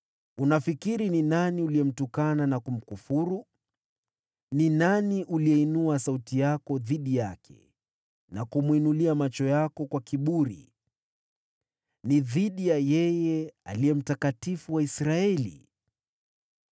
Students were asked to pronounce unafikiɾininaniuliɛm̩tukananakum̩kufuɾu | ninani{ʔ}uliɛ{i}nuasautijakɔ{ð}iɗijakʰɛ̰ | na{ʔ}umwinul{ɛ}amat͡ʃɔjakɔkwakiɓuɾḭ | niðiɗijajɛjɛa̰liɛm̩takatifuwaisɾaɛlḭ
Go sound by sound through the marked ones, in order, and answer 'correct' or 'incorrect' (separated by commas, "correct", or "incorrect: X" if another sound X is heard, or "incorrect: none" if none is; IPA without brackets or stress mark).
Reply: correct, correct, correct, incorrect: k, incorrect: i